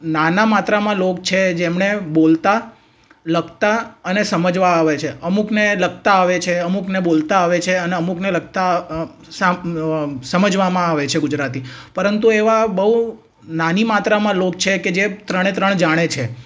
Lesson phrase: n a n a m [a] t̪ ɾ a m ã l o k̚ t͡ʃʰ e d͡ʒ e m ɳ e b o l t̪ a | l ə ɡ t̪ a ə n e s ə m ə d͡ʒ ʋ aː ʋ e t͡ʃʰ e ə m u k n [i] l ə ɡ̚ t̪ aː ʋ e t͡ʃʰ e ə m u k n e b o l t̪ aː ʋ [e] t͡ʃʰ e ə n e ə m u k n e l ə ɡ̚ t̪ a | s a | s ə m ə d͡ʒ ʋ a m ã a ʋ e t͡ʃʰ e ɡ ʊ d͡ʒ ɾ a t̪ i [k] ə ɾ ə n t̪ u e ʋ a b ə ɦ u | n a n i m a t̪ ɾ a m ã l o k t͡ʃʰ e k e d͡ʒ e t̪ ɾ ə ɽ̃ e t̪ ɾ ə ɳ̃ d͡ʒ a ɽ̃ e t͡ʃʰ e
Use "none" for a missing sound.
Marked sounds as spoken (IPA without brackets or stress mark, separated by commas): a, e, e, p